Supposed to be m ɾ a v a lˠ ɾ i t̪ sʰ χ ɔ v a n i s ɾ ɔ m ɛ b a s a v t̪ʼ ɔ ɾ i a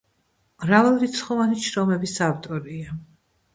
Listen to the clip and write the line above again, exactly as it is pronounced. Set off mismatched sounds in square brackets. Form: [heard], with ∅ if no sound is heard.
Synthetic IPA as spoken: m ɾ a v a lˠ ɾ i t̪ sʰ χ ɔ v a n i [ʃ] ɾ ɔ m ɛ b [i] s a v t̪ʼ ɔ ɾ i a